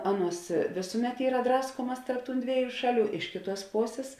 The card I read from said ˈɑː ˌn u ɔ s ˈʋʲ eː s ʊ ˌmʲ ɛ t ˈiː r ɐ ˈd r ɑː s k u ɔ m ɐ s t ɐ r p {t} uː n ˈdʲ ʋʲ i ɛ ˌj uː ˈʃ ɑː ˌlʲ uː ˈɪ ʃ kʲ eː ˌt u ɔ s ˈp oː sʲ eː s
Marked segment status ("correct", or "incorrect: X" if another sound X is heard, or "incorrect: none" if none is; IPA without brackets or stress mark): correct